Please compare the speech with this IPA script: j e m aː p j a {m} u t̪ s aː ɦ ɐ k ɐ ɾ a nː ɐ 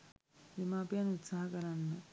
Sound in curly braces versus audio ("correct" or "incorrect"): incorrect